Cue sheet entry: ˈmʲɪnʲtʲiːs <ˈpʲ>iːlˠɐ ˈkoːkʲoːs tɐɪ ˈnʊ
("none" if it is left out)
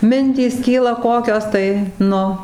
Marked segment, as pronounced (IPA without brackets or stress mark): kʲ